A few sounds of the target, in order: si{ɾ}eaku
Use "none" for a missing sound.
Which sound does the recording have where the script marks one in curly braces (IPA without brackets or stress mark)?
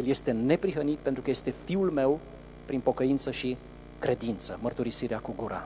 ɾ